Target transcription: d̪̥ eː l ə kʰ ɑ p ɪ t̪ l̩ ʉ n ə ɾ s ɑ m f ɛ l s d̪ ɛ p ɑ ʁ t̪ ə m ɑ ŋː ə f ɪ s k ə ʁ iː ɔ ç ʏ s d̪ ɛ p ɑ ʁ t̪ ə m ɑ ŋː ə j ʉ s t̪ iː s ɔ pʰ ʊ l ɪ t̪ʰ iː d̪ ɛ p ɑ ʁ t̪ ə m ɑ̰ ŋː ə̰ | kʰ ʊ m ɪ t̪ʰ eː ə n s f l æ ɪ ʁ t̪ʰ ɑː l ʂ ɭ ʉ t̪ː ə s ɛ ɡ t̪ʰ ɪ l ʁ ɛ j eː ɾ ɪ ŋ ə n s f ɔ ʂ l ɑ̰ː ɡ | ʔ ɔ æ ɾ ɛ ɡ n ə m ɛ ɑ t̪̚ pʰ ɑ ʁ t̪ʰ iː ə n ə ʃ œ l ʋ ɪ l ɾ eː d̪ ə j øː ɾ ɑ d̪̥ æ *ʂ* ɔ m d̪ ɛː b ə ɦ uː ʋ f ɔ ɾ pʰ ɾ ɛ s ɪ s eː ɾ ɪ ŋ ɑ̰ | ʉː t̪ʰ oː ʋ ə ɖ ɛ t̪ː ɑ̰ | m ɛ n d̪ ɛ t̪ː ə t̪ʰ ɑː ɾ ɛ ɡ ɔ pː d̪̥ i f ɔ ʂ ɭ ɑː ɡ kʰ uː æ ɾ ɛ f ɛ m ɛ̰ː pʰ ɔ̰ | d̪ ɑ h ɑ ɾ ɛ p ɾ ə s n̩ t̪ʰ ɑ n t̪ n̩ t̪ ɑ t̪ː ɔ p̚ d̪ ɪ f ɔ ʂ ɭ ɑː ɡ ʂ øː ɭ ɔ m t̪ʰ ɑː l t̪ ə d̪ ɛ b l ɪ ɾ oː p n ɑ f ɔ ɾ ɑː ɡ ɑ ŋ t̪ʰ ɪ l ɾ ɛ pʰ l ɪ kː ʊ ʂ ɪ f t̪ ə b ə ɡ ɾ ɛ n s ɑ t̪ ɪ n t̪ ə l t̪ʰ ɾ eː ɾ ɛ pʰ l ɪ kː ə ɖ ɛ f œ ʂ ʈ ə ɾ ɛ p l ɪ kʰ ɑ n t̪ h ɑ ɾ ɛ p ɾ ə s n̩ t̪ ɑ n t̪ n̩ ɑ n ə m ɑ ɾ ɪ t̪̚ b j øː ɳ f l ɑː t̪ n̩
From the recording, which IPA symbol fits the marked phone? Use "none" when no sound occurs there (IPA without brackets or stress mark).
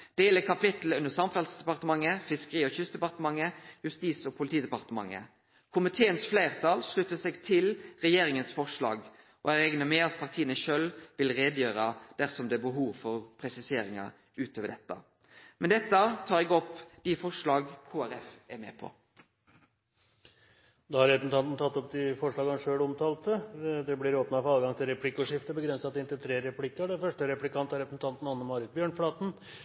s